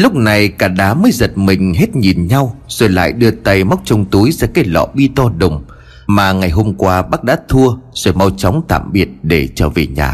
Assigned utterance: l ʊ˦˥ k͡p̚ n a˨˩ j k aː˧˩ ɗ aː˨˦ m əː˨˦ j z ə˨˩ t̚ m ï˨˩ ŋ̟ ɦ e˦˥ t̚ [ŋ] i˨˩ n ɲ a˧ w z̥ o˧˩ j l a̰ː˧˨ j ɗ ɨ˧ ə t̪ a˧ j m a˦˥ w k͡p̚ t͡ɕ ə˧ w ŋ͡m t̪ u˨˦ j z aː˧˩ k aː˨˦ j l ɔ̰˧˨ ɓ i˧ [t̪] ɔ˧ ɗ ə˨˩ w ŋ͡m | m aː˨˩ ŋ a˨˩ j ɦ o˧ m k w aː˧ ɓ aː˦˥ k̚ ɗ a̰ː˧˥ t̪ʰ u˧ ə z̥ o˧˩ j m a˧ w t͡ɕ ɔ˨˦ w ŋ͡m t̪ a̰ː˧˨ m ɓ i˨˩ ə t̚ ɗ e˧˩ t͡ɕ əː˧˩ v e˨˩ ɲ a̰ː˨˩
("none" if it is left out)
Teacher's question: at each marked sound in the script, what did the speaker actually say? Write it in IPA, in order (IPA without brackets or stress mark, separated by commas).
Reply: ɲ, t̪